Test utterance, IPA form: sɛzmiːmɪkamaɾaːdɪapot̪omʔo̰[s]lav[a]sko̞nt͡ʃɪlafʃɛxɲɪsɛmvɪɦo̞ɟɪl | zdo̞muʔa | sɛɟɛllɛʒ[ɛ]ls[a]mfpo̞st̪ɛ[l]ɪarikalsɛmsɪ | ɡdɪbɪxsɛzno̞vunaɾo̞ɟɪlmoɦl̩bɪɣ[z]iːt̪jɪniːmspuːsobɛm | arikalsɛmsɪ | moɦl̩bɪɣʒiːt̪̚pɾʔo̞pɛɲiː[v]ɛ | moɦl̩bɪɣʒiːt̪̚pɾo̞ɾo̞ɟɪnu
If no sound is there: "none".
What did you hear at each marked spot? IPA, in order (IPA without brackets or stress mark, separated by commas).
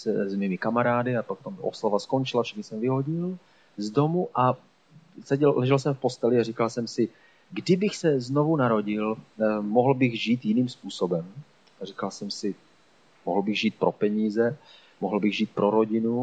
s, a, ɛ, ɛ, l, ʒ, z